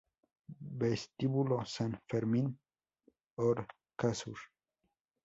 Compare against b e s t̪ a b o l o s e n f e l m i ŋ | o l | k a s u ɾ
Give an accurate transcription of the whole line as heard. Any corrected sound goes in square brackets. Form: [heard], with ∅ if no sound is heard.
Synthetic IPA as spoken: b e s t̪ [i] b [u] l o s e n f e [ɾ] m i [n] | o [ɾ] | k a s u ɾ